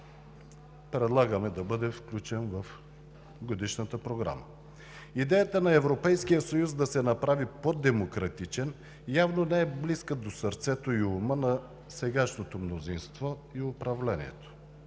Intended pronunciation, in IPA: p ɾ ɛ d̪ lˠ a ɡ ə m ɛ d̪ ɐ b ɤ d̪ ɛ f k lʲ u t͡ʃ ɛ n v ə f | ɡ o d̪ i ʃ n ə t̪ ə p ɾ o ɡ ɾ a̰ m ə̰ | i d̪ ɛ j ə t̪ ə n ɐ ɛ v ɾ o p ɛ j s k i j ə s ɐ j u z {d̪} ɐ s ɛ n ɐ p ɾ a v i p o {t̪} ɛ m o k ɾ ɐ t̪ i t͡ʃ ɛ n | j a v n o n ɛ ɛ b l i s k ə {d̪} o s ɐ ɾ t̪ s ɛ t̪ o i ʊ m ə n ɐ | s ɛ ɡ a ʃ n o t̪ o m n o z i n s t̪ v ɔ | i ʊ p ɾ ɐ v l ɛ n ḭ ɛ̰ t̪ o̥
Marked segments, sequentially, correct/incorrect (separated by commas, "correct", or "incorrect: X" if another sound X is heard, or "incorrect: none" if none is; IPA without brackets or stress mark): correct, incorrect: d̪, correct